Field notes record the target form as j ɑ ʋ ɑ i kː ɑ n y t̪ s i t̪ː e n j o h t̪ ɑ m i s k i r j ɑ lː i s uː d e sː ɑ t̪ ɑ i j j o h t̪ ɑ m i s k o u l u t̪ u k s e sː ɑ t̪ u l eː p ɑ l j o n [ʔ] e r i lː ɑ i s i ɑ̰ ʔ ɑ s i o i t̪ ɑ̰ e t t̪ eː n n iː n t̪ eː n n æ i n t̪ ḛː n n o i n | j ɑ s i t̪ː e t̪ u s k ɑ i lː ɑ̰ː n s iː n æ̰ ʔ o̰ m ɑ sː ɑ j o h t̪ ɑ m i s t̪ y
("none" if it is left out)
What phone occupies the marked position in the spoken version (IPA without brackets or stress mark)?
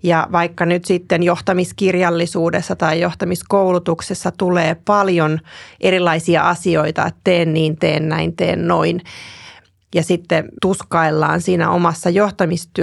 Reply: ʔ